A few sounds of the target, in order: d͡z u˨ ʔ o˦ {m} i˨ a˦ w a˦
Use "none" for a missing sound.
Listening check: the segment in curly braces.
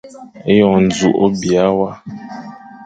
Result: b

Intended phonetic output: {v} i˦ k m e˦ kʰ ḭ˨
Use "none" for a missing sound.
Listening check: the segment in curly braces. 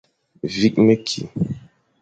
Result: v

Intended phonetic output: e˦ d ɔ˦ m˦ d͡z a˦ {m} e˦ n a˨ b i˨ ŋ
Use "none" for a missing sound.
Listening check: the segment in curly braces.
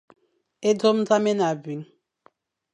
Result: m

